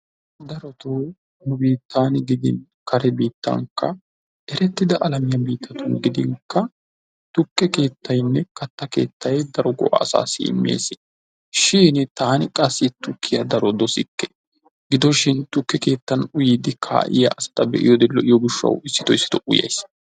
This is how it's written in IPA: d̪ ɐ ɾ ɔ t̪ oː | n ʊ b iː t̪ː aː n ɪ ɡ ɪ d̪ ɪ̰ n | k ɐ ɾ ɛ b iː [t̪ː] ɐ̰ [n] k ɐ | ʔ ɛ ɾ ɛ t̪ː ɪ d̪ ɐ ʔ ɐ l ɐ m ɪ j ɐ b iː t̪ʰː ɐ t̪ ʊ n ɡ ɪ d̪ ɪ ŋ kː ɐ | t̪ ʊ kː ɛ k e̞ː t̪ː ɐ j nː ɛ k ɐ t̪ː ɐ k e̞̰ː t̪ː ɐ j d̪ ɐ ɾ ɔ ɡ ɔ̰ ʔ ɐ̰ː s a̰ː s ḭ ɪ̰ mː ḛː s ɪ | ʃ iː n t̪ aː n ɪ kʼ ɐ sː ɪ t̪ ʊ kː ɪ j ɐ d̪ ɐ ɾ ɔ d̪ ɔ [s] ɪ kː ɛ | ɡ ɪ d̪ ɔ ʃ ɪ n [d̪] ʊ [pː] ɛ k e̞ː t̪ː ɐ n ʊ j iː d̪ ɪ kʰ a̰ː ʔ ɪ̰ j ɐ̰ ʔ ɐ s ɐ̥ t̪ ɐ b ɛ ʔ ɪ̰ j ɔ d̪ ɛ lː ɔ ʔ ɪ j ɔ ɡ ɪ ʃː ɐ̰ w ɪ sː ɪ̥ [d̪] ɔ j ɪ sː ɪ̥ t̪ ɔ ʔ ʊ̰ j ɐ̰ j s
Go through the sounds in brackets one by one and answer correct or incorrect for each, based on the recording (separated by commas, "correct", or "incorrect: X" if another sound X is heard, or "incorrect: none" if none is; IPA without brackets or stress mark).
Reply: correct, incorrect: ŋ, correct, incorrect: t̪, incorrect: kː, incorrect: t̪